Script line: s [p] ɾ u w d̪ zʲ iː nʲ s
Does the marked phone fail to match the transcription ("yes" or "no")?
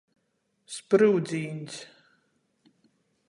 no